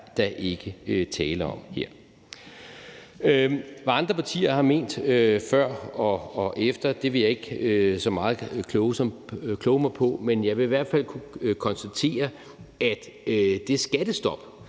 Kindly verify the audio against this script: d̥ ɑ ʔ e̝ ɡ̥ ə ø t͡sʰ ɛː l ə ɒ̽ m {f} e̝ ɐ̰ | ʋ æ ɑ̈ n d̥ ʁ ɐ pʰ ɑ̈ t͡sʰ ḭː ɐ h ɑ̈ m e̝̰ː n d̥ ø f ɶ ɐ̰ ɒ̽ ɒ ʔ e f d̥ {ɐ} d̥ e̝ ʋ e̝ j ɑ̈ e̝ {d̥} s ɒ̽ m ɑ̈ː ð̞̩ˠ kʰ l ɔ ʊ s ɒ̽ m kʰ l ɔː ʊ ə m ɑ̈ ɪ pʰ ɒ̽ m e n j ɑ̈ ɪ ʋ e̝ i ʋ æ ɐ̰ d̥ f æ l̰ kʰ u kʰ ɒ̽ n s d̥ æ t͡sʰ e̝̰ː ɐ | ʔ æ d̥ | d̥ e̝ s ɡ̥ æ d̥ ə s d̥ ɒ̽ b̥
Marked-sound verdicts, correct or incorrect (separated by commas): incorrect, correct, incorrect